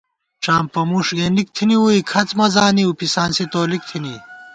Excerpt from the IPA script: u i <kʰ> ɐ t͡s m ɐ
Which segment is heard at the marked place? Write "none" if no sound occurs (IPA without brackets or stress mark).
kʰ